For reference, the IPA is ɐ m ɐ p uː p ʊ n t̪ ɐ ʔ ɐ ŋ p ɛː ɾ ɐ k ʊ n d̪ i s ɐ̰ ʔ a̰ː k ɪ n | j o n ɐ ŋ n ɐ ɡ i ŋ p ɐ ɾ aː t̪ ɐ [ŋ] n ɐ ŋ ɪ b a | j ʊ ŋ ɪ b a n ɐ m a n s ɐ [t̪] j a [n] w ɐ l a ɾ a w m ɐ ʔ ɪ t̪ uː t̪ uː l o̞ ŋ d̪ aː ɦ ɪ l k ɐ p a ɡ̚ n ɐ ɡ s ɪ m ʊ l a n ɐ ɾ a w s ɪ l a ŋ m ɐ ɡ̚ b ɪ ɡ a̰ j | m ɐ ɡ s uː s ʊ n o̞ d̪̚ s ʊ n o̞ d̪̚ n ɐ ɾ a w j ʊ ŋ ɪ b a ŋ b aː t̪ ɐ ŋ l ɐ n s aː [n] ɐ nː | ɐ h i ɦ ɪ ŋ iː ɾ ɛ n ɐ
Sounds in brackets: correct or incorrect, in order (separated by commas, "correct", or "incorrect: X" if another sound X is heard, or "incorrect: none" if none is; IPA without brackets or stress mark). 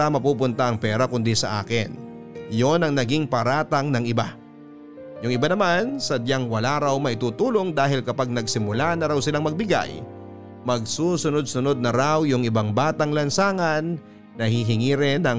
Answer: correct, incorrect: d̪, incorrect: ŋ, incorrect: ŋ